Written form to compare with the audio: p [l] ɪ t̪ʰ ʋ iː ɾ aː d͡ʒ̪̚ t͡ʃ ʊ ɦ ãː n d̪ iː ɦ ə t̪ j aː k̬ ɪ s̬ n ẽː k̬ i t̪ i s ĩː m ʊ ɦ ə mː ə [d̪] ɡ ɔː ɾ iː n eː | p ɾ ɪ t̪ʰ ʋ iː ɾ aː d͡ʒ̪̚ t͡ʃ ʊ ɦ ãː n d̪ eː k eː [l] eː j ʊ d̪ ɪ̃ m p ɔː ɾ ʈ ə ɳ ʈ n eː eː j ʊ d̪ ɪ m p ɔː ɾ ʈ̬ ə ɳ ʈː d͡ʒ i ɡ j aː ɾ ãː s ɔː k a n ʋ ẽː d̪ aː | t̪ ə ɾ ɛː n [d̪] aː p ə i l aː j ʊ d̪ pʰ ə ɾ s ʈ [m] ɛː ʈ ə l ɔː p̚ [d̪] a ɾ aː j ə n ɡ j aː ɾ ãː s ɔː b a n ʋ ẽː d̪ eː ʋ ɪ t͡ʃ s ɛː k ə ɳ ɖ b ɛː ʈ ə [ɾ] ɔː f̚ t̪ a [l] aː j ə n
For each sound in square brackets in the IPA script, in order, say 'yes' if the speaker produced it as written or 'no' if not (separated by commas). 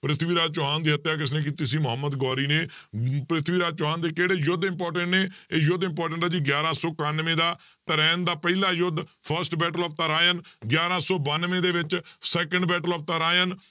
no, yes, no, yes, no, no, no, no